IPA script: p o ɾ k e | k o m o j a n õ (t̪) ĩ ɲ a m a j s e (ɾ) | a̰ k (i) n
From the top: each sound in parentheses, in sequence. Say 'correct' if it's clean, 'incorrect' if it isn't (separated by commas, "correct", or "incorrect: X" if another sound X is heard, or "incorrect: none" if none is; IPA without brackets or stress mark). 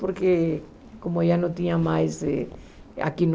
correct, incorrect: none, correct